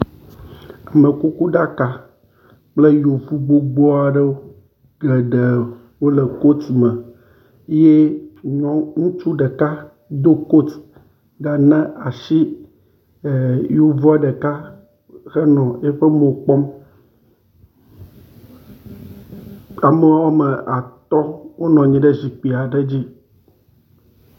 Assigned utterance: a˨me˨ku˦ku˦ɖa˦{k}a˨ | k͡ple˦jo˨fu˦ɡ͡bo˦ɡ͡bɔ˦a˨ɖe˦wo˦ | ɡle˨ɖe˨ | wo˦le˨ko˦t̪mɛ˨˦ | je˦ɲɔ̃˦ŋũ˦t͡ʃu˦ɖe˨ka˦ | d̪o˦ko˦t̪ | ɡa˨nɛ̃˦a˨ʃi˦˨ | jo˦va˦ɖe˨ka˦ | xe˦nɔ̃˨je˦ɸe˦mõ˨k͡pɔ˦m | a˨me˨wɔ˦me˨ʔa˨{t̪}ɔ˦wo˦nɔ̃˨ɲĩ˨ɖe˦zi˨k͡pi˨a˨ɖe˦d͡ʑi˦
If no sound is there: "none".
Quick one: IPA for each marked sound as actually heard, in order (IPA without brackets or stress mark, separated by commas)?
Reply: k, t̪